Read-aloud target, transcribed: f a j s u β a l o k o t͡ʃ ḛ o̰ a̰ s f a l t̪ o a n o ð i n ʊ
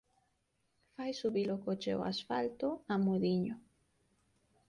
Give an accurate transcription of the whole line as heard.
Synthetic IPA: f a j s u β i l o k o t͡ʃ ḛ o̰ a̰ s f a l t̪ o a m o ð i ɲ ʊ